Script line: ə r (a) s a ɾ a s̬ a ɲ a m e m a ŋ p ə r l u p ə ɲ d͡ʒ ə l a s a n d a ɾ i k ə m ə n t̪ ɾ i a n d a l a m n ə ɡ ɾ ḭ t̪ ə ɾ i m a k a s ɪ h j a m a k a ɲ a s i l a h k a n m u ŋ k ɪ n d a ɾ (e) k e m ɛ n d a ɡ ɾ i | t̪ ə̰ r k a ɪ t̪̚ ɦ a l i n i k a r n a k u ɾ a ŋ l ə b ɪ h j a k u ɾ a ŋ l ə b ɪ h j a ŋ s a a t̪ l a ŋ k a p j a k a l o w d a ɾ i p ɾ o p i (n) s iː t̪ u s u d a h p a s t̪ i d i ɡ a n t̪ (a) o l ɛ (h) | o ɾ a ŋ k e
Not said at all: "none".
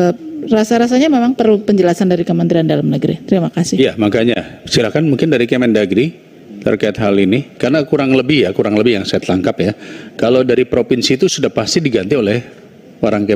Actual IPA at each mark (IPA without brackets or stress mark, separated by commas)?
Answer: a, i, n, i, h